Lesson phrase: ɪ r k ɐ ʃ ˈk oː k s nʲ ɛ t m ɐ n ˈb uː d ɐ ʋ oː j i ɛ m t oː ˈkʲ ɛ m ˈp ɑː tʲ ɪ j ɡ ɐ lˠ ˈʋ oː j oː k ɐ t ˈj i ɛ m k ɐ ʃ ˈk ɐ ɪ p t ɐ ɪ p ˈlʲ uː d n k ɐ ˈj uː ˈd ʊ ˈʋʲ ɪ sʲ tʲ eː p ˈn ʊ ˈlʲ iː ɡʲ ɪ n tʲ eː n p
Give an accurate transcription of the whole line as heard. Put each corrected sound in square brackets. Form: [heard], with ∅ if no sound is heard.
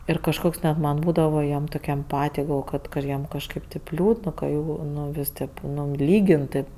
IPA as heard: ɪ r k ɐ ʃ ˈk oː k s nʲ ɛ t m ɐ n ˈb uː d ɐ ʋ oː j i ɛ m t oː ˈkʲ ɛ m ˈp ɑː tʲ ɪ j ɡ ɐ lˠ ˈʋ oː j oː k ɐ t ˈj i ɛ m k ɐ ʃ ˈk ɐ ɪ p t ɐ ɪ p ˈlʲ uː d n k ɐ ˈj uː [ˈn] ʊ ˈʋʲ ɪ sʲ tʲ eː p ˈn ʊ ˈlʲ iː ɡʲ ɪ n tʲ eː [∅] p